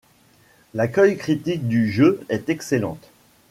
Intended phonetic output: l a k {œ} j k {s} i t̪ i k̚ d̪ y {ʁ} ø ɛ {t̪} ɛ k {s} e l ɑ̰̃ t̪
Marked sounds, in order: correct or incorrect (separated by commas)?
correct, incorrect, incorrect, correct, correct